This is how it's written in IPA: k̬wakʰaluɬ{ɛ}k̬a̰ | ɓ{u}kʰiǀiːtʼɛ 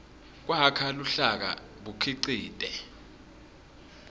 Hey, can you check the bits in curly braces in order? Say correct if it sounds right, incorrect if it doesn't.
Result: incorrect, correct

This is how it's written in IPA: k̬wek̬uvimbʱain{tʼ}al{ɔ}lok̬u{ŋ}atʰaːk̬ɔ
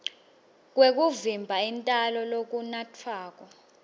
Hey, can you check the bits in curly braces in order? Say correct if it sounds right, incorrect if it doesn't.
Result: correct, correct, incorrect

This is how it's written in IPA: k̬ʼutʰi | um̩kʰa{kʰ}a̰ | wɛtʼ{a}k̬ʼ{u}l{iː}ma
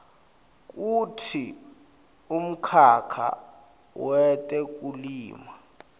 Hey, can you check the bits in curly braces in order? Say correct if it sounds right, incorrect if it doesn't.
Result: correct, incorrect, correct, correct

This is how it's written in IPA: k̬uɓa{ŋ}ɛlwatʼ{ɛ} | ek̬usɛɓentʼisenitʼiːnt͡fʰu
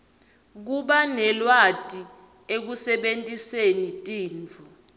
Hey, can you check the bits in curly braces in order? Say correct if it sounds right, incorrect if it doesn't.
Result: incorrect, incorrect

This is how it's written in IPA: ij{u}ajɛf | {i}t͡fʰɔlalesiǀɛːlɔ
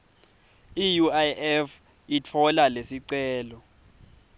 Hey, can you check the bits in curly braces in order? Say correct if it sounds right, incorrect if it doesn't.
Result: correct, correct

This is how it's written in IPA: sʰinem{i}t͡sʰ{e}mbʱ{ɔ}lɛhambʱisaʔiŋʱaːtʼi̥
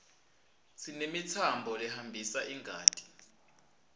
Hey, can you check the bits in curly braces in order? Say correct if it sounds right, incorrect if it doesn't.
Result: correct, incorrect, correct

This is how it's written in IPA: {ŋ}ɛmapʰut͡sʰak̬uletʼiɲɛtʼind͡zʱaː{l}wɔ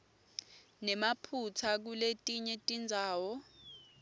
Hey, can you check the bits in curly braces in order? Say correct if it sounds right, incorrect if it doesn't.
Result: incorrect, incorrect

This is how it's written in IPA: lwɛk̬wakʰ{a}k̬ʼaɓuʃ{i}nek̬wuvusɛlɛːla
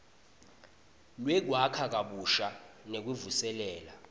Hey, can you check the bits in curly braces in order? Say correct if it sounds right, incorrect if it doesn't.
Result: correct, incorrect

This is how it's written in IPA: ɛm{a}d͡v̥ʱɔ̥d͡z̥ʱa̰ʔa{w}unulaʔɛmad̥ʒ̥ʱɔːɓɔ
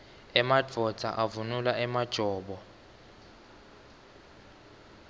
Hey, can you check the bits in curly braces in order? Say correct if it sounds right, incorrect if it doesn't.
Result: correct, incorrect

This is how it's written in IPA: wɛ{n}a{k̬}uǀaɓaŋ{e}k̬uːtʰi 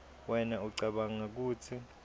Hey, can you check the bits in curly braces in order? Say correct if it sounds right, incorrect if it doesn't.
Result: correct, incorrect, incorrect

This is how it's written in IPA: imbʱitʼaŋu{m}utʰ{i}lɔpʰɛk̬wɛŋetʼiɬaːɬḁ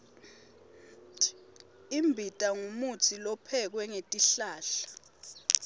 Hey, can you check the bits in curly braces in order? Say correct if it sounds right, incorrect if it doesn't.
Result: correct, correct

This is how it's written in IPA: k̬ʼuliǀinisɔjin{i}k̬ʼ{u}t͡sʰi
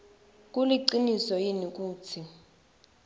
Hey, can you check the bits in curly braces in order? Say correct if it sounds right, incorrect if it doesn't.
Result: correct, incorrect

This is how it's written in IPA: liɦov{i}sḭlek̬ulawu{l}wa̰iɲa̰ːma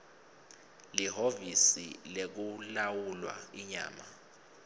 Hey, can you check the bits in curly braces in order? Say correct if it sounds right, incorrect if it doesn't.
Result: correct, correct

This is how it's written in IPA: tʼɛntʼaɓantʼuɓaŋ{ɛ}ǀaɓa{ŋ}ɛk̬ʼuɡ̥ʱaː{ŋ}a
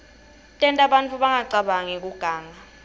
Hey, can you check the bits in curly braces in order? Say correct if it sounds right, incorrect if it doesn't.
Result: incorrect, correct, correct

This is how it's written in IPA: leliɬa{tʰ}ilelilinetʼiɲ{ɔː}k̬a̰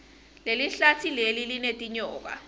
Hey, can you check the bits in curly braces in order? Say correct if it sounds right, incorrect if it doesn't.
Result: correct, correct

